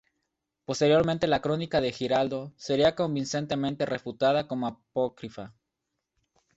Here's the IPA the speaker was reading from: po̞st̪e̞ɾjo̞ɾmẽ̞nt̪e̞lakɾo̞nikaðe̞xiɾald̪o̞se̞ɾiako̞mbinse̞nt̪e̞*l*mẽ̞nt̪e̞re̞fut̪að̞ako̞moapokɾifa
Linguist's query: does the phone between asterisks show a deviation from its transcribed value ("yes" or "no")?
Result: yes